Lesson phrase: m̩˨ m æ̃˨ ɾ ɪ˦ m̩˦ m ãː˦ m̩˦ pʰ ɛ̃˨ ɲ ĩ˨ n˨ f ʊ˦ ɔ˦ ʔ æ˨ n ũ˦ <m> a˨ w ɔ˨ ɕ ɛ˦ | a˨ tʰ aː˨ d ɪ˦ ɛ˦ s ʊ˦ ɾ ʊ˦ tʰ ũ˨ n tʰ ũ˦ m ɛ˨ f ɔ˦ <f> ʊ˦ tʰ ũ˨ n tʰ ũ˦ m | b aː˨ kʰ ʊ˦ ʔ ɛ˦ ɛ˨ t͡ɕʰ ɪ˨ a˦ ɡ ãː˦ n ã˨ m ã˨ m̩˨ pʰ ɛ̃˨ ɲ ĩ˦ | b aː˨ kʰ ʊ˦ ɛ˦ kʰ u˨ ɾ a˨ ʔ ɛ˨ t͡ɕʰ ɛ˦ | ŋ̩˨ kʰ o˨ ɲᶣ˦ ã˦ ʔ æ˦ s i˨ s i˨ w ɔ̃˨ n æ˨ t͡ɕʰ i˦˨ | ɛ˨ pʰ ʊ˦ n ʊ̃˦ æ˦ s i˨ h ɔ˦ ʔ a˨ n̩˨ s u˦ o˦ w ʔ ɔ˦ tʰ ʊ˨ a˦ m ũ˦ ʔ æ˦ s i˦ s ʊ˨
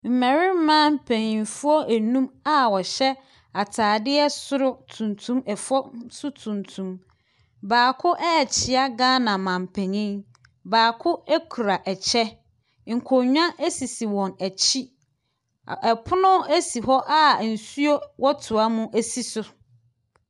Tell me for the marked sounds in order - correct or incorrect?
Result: correct, incorrect: s

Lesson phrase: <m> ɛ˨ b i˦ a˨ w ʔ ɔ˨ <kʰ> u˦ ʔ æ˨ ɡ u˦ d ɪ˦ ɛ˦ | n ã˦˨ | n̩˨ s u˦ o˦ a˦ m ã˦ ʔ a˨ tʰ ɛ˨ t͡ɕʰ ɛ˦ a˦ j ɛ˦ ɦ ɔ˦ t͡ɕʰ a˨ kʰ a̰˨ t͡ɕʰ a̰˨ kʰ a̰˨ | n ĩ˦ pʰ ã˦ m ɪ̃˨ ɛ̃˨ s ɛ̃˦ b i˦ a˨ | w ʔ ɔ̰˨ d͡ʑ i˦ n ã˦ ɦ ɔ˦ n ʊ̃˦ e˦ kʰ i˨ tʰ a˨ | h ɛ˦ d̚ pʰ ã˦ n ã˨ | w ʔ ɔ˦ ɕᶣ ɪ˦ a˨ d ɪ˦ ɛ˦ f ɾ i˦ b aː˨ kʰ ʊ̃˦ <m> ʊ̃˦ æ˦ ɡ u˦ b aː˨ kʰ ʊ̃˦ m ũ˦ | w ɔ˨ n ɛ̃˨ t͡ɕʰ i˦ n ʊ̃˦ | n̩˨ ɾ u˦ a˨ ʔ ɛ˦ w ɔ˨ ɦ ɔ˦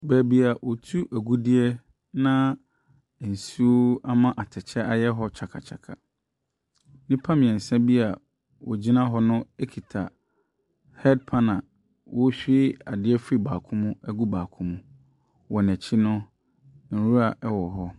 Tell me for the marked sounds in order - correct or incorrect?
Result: incorrect: b, incorrect: tʰ, correct

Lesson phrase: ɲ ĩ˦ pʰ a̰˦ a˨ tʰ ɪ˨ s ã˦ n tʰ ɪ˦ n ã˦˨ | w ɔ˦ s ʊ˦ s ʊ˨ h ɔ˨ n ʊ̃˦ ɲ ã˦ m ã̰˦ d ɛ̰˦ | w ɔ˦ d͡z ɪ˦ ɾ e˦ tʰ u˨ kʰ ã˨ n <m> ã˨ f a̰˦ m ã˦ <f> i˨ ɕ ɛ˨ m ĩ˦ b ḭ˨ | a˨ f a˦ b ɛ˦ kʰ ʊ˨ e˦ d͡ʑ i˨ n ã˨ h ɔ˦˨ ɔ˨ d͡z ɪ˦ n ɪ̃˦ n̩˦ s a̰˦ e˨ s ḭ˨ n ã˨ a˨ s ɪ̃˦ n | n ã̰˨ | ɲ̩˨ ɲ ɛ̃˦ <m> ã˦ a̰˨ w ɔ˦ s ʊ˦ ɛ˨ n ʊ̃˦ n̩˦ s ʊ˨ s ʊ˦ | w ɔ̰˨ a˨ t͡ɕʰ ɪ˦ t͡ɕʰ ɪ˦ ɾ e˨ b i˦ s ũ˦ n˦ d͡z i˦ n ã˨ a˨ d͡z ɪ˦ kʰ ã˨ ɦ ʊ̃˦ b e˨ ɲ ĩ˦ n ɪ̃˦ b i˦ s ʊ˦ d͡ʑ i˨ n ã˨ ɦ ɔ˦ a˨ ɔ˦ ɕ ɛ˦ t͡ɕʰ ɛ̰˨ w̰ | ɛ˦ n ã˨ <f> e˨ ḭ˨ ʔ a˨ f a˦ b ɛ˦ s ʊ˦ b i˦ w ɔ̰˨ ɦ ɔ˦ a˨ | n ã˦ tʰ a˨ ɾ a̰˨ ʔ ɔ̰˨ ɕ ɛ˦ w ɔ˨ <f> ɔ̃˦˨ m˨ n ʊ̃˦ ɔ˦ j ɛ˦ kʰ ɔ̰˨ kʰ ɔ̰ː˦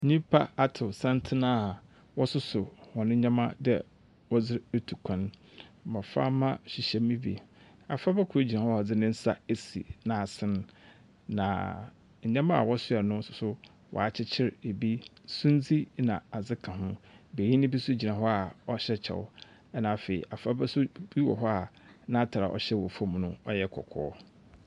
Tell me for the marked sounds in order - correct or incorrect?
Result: correct, incorrect: ɕ, correct, correct, correct

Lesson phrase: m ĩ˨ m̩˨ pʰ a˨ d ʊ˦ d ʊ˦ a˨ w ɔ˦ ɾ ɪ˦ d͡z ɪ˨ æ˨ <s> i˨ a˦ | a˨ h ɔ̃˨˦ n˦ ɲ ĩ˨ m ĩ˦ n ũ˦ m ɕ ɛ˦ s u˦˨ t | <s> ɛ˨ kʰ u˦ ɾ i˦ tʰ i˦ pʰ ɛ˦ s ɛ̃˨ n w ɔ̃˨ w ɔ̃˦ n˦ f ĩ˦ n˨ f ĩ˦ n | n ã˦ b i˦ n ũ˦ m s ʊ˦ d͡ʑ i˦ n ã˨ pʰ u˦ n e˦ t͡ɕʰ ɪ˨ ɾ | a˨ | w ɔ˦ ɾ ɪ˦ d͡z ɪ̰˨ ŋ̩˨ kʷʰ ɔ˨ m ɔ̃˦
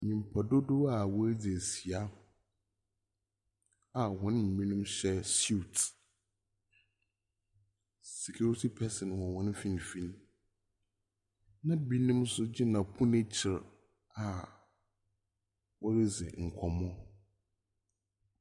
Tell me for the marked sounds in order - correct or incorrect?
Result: correct, correct

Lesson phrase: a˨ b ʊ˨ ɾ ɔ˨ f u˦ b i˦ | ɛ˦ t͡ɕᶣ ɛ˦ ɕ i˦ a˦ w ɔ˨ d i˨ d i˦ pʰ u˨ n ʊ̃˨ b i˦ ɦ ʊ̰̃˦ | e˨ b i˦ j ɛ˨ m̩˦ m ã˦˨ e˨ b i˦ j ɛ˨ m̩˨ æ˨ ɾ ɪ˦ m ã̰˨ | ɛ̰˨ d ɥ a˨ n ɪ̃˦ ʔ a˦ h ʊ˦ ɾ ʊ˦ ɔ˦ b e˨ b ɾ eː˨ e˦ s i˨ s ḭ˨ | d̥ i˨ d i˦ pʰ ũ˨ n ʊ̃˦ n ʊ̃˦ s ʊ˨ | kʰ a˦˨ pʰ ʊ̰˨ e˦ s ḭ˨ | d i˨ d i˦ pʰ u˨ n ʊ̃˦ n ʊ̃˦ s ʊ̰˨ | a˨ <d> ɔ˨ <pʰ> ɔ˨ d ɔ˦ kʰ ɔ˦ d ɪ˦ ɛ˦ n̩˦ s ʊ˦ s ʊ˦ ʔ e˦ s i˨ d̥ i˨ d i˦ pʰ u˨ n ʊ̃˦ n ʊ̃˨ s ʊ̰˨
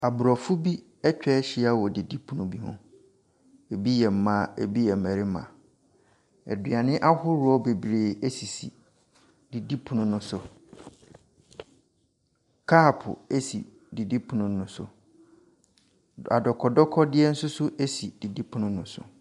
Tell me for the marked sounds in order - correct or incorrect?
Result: correct, incorrect: kʰ

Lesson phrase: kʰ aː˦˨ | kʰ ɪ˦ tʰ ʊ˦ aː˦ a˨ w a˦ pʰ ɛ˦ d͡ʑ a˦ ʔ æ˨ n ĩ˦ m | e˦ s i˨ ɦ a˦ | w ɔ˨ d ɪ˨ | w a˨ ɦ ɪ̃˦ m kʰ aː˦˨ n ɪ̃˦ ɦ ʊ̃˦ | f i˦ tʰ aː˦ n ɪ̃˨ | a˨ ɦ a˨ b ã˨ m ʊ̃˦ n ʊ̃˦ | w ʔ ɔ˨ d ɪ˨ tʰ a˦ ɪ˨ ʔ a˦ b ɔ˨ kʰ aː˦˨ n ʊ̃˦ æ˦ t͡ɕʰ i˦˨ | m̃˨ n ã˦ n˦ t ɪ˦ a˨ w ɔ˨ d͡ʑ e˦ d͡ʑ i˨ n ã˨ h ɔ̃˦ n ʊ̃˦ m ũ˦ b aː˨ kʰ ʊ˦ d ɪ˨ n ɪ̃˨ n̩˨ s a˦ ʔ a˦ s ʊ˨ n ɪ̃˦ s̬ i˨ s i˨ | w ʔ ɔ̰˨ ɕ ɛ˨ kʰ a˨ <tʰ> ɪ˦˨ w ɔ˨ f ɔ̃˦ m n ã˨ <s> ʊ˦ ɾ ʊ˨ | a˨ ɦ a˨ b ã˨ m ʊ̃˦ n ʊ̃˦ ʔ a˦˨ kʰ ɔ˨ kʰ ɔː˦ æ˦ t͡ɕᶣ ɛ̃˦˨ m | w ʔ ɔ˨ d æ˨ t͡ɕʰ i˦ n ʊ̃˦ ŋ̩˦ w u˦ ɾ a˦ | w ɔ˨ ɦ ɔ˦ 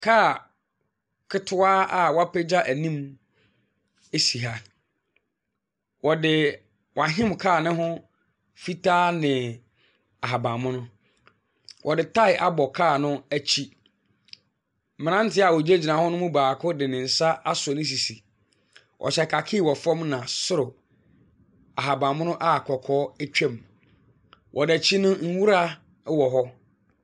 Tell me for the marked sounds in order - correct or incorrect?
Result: incorrect: kʰ, correct

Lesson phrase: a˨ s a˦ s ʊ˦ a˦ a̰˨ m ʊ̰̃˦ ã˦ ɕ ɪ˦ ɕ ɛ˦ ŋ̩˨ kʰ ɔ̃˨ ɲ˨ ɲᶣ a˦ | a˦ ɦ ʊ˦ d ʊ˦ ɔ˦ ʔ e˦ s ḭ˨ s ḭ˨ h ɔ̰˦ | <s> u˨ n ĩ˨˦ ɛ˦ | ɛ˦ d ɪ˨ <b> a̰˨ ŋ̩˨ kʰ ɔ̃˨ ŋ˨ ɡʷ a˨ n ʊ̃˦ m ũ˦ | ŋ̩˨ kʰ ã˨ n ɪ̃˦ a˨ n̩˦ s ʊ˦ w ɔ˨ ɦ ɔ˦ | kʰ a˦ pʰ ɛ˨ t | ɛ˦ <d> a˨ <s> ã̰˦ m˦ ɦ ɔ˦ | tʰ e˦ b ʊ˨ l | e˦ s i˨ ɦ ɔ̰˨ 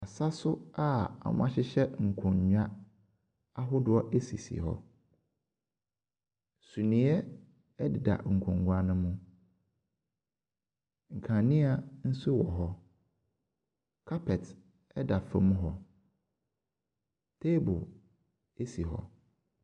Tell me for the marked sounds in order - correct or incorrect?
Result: correct, incorrect: d, correct, incorrect: f

